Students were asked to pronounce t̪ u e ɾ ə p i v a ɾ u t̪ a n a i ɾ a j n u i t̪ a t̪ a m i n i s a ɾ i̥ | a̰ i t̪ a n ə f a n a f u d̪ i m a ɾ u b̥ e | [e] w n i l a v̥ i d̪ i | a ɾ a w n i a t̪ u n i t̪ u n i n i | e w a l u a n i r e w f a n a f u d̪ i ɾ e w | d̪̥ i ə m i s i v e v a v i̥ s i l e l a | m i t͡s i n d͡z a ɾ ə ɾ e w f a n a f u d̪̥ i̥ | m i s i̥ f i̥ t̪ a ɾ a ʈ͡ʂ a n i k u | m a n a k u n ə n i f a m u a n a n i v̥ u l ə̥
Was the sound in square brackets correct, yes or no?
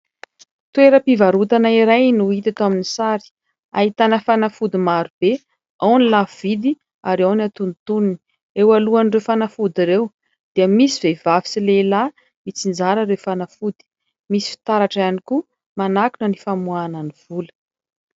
no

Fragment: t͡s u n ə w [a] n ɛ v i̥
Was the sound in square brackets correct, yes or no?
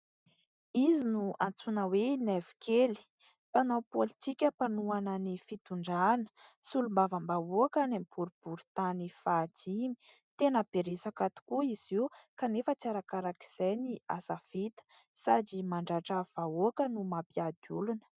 no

